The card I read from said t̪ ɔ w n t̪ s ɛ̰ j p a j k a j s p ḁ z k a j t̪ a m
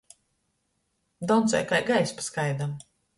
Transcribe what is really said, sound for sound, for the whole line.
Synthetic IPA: d̪ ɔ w n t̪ s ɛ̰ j k a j ɡ a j s p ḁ s k a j d̪ a m

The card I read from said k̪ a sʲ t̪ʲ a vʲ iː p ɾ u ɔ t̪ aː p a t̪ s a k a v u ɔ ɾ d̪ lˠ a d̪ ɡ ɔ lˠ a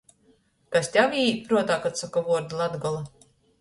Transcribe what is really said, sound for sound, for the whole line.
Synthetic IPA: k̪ a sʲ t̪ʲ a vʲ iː p ɾ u ɔ t̪ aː k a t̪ s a k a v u ɔ ɾ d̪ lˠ a d̪ ɡ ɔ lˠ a

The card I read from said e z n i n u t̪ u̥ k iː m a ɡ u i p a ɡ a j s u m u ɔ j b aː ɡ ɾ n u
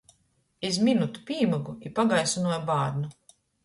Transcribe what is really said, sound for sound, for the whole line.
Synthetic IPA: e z m i n u t̪ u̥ p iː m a ɡ u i p a ɡ a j s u n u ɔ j b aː ɾ n u

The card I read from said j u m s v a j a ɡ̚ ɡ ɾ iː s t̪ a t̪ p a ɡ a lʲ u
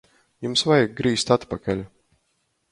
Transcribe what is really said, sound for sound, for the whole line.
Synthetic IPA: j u m s v a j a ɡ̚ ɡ ɾ iː s t̪ a t̪ p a k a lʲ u

